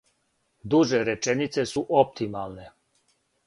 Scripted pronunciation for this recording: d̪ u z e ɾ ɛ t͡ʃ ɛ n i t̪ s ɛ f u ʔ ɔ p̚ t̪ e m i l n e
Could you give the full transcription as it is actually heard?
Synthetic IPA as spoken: d̪ u ʒ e ɾ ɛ t͡ʃ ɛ n i t̪ s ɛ s u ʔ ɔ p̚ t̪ i m a l n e

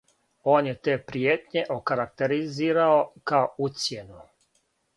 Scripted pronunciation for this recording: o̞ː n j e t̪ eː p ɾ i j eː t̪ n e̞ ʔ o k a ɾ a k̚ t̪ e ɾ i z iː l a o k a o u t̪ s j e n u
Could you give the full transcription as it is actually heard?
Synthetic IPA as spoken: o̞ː n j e t̪ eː p ɾ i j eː t̪ ɲ e̞ ʔ o k a ɾ a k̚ t̪ e ɾ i z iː ɾ a o k a o u t̪ s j e n u

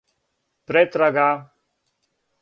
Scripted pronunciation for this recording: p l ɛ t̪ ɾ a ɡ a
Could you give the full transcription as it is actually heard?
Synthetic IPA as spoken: p ɾ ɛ t̪ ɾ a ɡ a

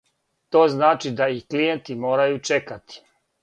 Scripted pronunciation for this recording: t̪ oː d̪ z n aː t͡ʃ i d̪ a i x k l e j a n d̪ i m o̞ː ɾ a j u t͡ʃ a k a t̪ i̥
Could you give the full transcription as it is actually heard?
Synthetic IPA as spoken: t̪ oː z n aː t͡ʃ i d̪ a i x k l i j e n t̪ i m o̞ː ɾ a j u t͡ʃ e k a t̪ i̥

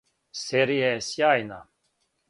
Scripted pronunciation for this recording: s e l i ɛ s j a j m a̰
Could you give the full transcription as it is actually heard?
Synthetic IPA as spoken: s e ɾ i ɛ s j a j n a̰

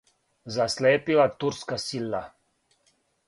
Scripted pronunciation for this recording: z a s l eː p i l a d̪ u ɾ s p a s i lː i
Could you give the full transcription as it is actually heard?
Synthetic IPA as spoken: z a s l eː p i l a t̪ u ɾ s k a s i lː a

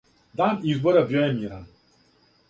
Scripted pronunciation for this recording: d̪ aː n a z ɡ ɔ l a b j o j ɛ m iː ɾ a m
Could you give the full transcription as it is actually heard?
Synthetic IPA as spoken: d̪ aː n i z b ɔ ɾ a b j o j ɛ m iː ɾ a n

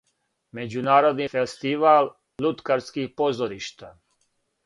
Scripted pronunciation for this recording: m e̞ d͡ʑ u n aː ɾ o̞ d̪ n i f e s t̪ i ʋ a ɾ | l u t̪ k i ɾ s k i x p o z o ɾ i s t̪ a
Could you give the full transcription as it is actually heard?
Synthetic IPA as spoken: m e̞ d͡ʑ u n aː ɾ o̞ d̪ n i f e s t̪ i ʋ a l | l u t̪ k a ɾ s k i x p o z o ɾ i ʃ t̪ a

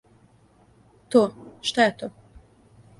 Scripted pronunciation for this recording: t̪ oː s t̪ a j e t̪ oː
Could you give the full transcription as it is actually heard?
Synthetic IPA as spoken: t̪ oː ʃ t̪ a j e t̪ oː

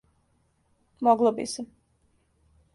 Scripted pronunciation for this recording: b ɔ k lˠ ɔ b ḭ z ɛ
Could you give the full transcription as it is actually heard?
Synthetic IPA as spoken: m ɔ ɡ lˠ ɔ b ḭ s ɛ

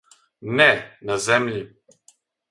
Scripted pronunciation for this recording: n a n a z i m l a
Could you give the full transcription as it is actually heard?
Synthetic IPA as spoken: n ɛ n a z ɛ m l i

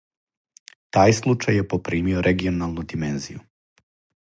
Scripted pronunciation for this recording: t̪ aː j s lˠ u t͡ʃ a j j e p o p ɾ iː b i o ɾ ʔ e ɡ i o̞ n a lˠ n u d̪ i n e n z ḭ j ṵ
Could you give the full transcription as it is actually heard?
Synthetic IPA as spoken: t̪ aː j s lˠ u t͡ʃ a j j e p o p ɾ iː m i o ɾ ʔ e ɡ i o̞ n a lˠ n u d̪ i m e n z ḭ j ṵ

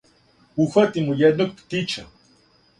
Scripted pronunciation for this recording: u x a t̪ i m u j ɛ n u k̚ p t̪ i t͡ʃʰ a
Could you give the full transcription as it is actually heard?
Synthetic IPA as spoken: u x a t̪ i m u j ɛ n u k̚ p t̪ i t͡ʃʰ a

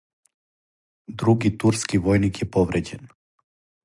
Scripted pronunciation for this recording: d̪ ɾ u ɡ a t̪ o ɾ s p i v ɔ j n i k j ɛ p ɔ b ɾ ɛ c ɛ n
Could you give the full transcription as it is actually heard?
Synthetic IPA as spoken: d̪ ɾ u ɡ i t̪ u ɾ s k i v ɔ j n i k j ɛ p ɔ v ɾ ɛ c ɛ n

